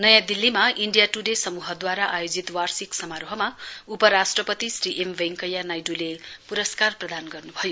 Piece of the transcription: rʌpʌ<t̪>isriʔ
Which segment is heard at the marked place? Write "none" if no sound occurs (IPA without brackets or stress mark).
t̪